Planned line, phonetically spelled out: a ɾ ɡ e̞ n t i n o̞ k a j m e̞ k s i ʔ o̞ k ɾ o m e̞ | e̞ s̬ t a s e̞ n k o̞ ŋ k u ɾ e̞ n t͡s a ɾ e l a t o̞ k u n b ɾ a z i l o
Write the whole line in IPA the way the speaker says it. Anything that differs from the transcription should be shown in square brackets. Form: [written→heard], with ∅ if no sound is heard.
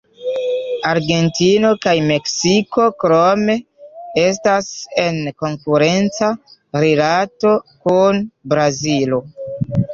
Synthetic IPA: a ɾ ɡ e̞ n t i n o̞ k a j m e̞ k s i [ʔ→k] o̞ k ɾ o m e̞ | e̞ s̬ t a s e̞ n k o̞ ŋ k u ɾ e̞ n t͡s a ɾ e l a t o̞ k u n b ɾ a z i l o